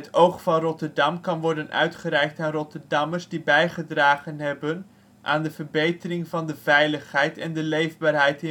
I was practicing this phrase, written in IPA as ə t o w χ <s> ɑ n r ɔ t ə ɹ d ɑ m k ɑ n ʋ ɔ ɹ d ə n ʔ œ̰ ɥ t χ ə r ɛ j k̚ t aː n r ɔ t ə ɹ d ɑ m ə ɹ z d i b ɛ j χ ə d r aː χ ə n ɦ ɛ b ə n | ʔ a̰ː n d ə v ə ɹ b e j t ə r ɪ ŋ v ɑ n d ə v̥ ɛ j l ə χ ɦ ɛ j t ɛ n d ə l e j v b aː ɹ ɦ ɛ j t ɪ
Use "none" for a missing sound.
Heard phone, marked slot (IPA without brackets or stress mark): f